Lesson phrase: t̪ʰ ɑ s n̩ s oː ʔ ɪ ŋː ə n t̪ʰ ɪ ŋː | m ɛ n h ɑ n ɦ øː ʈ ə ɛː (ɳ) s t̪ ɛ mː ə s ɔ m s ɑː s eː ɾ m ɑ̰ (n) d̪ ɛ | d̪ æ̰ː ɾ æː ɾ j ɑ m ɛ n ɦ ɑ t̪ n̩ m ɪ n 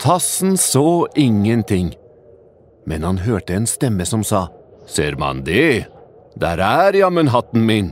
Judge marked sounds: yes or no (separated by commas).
no, yes